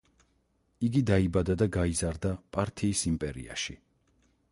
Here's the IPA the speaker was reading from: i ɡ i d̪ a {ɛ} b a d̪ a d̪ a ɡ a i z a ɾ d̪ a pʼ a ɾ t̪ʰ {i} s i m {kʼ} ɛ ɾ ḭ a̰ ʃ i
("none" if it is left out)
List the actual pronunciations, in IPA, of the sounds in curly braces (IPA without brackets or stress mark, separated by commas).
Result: i, iː, pʼ